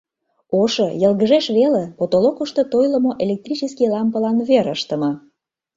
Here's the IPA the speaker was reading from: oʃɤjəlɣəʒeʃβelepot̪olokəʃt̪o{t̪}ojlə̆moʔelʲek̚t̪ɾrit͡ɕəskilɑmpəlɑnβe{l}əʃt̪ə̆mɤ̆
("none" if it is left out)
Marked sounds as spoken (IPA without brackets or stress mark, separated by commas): t̪, ɾ